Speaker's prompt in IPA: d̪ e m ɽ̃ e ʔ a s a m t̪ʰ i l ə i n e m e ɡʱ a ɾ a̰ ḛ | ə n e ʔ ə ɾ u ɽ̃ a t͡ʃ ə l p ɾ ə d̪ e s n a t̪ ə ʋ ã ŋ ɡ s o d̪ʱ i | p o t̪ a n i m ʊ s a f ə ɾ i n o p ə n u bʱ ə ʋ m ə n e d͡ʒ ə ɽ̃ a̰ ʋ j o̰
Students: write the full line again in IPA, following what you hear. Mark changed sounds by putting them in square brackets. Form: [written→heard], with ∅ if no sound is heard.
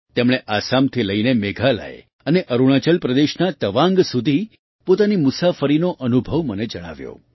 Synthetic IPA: [d̪→t̪] e m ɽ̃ e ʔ a s a m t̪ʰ i l ə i n e m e ɡʱ a [ɾ→l] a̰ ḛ | ə n e ʔ ə ɾ u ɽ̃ a t͡ʃ ə l p ɾ ə d̪ e [s→ʃ] n a t̪ ə ʋ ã ŋ ɡ s [o→u] d̪ʱ i | p o t̪ a n i m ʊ s a f ə ɾ i n o [p→ʔ] ə n u bʱ ə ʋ m ə n e d͡ʒ ə ɽ̃ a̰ ʋ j o̰

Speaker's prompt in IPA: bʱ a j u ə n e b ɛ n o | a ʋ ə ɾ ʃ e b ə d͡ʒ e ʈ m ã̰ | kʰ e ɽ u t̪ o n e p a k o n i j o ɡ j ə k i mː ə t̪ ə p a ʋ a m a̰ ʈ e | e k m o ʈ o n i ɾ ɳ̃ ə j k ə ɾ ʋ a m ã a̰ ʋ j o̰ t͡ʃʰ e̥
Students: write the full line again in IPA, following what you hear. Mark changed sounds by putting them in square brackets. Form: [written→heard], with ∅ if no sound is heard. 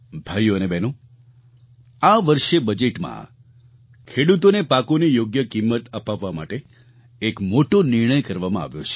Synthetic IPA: bʱ a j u ə n e b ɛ n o | a ʋ ə ɾ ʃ e b ə d͡ʒ e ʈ m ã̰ | kʰ e ɽ u t̪ o n e p a k o n i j o ɡ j ə k i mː ə t̪ ə p a [ʋ→ʋː] a m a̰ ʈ e | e k m o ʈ o n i ɾ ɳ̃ ə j k ə ɾ ʋ a m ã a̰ ʋ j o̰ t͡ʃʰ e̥

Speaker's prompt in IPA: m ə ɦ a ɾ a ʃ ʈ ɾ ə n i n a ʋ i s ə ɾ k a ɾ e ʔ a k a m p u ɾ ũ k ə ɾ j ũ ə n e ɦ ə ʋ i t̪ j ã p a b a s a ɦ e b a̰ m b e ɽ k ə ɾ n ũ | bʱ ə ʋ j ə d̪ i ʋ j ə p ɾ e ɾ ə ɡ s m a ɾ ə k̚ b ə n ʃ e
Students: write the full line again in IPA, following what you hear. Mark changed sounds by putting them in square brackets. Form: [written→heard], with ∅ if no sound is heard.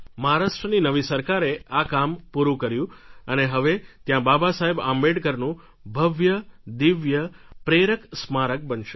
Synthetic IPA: m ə ɦ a ɾ a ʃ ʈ ɾ ə n i n [a→ə] ʋ i s ə ɾ k a ɾ e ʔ a k a m p u ɾ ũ k ə ɾ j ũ ə n e ɦ ə ʋ [i→e] t̪ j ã [p→b] a b a s a ɦ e b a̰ m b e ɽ k ə ɾ n ũ | bʱ ə ʋ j ə d̪ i ʋ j ə p ɾ e ɾ ə [ɡ→k] s m a ɾ ə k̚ b ə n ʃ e

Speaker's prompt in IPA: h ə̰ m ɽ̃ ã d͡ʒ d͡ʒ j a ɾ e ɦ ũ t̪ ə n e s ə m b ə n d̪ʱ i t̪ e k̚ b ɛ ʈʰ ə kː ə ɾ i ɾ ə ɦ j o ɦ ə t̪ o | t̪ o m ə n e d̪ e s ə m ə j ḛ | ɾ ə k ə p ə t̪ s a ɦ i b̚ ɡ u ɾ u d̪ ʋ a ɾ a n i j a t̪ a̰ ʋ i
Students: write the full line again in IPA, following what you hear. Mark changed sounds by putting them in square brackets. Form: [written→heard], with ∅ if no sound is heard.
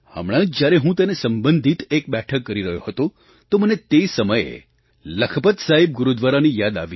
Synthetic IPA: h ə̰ m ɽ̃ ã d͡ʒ d͡ʒ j a ɾ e ɦ ũ t̪ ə n e s ə m b ə n d̪ʱ i t̪ e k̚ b ɛ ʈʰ ə kː ə ɾ i ɾ ə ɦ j o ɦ ə t̪ o | t̪ o m ə n e [d̪→t̪] e s ə m ə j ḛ | [ɾ→l] ə [k→kʰ] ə p ə t̪ s a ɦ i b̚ ɡ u ɾ u d̪ ʋ a ɾ a n i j a [t̪→d̪] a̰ ʋ i

